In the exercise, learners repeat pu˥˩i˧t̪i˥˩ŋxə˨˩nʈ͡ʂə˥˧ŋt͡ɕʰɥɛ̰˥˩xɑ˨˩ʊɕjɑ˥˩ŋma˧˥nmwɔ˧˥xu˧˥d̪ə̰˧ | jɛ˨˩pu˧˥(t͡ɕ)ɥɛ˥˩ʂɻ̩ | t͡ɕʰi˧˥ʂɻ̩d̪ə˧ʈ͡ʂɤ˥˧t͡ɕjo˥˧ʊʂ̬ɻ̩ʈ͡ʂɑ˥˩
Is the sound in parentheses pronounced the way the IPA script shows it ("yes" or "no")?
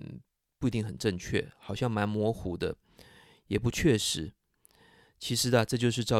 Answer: no